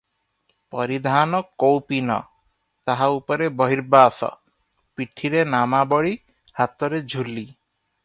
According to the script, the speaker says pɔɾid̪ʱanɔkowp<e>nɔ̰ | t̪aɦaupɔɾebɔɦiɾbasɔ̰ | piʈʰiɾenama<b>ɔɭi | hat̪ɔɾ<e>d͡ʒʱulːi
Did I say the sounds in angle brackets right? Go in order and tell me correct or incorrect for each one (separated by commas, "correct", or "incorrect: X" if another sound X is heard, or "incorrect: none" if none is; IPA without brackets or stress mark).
incorrect: i, correct, correct